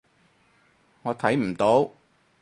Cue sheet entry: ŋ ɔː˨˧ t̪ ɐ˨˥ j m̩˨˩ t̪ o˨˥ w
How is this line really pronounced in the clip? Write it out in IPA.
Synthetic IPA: ŋ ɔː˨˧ t̪ʰ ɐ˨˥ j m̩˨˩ t̪ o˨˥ w

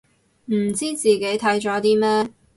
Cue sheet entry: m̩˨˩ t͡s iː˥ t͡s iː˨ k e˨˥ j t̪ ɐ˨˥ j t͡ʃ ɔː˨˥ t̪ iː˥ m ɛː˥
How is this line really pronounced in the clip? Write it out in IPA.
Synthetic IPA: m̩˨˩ t͡s iː˥ t͡s iː˨ k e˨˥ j t̪ʰ ɐ˨˥ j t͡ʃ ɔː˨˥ t̪ iː˥ m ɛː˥

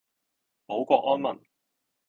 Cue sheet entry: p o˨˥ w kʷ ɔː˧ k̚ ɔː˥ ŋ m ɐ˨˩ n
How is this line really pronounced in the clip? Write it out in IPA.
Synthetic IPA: p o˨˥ w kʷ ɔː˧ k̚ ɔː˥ n m ɐ˨˩ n

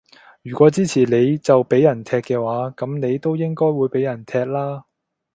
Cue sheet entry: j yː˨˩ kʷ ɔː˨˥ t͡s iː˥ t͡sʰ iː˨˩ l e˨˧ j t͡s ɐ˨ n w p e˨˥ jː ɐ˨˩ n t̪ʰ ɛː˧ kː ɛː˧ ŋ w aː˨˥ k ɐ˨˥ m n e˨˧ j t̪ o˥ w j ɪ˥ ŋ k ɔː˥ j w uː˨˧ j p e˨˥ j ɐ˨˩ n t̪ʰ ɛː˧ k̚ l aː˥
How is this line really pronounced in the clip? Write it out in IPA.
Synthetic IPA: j yː˨˩ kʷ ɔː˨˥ t͡s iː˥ t͡sʰ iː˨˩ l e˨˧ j t͡s ɐ˨ w p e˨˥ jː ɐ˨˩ n t̪ʰ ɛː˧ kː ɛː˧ w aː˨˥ k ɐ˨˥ m n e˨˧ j t̪ o˥ w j ɪ˥ ŋ k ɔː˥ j w uː˨˧ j p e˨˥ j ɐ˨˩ n t̪ʰ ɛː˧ k̚ l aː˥

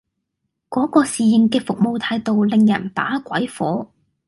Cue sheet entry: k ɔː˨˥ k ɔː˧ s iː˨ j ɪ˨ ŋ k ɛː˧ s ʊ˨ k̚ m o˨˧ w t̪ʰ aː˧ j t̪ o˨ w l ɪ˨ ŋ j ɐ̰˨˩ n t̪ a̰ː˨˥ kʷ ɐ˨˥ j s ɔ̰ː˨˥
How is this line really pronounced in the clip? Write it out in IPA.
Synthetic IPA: k ɔː˨˥ k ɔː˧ s iː˨ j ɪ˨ ŋ k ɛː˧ f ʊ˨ k̚ m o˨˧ w t̪ʰ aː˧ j t̪ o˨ w l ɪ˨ ŋ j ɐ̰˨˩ n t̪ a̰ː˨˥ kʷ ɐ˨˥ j f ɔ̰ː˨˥

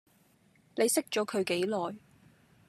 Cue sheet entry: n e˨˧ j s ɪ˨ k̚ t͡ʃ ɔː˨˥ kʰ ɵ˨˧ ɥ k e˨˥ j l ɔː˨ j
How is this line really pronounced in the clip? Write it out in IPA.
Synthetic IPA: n e˨˧ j s ɪ˥ k̚ t͡ʃ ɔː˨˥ kʰ ɵ˨˧ ɥ k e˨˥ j l ɔː˨ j

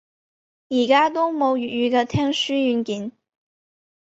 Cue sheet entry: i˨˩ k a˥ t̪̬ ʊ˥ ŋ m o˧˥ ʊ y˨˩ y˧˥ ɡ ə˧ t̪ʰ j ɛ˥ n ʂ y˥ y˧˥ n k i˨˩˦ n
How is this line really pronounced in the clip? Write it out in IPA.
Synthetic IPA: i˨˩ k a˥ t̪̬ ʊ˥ ŋ m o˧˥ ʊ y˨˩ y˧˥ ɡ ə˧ t̪ʰ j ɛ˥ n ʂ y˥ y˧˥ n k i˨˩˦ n

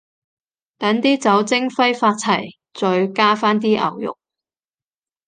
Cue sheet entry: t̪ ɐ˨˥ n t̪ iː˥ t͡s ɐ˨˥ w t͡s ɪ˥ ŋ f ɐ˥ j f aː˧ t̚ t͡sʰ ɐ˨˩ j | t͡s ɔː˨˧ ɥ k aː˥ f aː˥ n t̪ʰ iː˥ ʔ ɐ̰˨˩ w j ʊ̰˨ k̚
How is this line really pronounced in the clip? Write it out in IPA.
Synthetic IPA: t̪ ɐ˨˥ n t̪ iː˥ t͡s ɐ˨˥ w t͡s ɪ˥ ŋ f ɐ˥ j f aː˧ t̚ t͡sʰ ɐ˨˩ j | t͡s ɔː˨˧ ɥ k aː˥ f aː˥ n t̪ iː˥ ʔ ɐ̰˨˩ w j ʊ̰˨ k̚

